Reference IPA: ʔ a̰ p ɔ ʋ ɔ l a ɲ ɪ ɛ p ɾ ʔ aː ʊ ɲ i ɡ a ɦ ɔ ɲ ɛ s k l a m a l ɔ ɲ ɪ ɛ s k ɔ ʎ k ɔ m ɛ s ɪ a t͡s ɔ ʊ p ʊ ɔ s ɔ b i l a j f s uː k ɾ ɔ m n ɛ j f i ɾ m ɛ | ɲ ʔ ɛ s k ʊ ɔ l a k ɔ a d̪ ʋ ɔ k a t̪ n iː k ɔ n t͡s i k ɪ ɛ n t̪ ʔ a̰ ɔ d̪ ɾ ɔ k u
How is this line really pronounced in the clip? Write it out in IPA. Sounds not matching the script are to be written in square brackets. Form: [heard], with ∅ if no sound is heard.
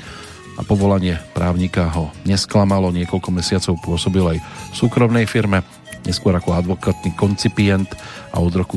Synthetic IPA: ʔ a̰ p ɔ ʋ ɔ l a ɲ ɪ ɛ p ɾ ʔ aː ʊ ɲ i [k] a ɦ ɔ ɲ ɛ s k l a m a l ɔ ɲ ɪ ɛ [∅] k ɔ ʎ k ɔ m ɛ s ɪ a t͡s ɔ ʊ p ʊ ɔ s ɔ b i l a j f s uː k ɾ ɔ m n ɛ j f i ɾ m ɛ | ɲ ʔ ɛ s k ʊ ɔ [ɾ] a k ɔ a d̪ ʋ ɔ k a t̪ n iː k ɔ n t͡s i [p] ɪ ɛ n t̪ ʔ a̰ ɔ d̪ ɾ ɔ k u